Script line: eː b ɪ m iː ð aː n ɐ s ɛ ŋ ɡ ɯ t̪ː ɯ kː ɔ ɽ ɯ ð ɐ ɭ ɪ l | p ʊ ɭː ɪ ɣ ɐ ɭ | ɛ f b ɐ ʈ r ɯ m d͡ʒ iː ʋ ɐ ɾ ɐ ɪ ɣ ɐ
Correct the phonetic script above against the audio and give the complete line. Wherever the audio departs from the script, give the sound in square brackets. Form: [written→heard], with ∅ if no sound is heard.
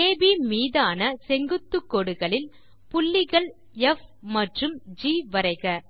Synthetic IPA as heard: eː b [ɪ→i] m iː ð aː n ɐ s ɛ ŋ ɡ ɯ t̪ː ɯ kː ɔ ɽ ɯ [ð→ɣ] ɐ ɭ ɪ l | p ʊ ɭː ɪ ɣ ɐ ɭ | ɛ f [b→m] ɐ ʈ r ɯ m d͡ʒ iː ʋ ɐ ɾ ɐ ɪ ɣ ɐ